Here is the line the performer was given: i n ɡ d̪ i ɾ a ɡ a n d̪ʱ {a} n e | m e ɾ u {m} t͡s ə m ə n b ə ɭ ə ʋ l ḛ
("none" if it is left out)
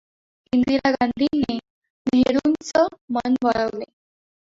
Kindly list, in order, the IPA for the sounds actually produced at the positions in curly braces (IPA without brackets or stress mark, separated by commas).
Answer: i, n